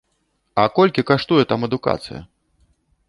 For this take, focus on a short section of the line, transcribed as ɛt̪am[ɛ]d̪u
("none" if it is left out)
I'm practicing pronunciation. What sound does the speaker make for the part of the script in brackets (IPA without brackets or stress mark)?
ɛ